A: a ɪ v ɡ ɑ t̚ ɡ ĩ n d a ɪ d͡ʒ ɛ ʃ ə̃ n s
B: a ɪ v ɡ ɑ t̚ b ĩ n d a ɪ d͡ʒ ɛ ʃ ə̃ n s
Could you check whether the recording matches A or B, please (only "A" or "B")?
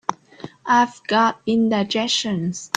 B